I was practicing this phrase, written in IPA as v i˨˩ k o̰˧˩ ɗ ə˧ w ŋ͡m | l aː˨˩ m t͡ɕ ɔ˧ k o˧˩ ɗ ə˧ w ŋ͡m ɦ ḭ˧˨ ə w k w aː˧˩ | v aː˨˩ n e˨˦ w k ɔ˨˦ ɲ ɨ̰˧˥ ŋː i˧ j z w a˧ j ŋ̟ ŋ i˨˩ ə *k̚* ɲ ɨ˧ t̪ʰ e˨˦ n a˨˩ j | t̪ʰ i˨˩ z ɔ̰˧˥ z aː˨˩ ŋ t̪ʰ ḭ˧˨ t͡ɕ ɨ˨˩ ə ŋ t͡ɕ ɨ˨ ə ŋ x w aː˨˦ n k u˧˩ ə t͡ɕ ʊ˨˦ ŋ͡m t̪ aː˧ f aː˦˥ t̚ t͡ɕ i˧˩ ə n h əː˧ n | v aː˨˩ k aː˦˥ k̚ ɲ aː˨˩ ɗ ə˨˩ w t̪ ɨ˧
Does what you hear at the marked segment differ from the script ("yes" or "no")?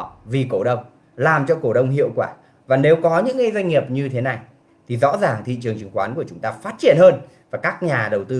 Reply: yes